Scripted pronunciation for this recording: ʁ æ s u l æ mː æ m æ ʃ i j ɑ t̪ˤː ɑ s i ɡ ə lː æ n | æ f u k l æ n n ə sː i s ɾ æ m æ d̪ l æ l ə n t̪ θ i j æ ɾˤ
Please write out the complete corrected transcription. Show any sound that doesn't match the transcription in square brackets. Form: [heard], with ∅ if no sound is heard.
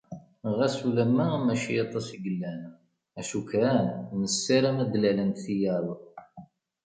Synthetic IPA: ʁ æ s u l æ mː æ m æ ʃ i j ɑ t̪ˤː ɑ s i ɡ ə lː æ n | æ [ʃ] u k [ɾ] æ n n ə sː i [∅] ɾ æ m æ d̪ l æ l ə n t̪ θ i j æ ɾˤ